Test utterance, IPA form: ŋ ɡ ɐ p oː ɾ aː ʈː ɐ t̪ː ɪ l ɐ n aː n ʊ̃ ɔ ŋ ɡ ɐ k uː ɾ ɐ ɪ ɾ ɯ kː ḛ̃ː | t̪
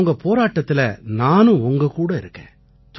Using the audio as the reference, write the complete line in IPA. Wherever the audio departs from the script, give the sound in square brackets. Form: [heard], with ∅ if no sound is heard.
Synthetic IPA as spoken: ŋ ɡ ɐ p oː ɾ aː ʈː ɐ t̪ː ɪ l ɐ n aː n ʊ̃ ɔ ŋ ɡ ɐ k uː [ɽ] ɐ ɪ ɾ ɯ kː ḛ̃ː | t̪